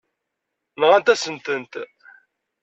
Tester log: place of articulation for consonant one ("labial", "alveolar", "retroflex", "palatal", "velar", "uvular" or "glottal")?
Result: alveolar